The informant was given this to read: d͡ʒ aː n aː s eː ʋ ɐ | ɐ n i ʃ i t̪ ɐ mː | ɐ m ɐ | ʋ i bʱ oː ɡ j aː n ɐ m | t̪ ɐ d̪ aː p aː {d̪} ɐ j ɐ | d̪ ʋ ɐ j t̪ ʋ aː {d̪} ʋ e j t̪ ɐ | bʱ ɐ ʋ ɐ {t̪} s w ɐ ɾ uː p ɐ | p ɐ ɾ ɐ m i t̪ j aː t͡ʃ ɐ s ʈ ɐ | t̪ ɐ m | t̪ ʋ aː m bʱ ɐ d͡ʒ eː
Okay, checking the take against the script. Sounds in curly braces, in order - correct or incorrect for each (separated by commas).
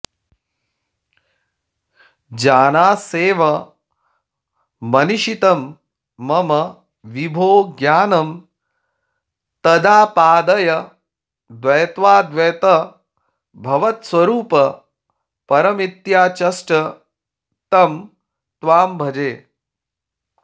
correct, correct, correct